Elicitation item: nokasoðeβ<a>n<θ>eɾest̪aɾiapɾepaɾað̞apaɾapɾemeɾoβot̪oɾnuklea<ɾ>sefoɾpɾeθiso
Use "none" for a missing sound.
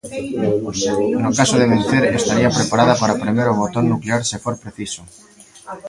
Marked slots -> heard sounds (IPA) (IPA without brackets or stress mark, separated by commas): e, θ, ɾ